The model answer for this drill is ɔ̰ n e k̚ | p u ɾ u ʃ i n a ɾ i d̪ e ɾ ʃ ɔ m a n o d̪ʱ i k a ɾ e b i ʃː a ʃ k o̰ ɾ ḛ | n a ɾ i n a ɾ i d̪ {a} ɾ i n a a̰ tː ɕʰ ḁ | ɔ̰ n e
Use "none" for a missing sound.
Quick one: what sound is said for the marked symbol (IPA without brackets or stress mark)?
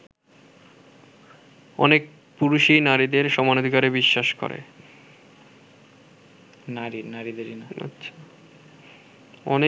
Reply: e